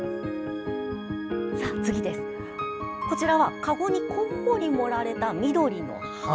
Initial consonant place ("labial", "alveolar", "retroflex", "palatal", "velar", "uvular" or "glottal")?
alveolar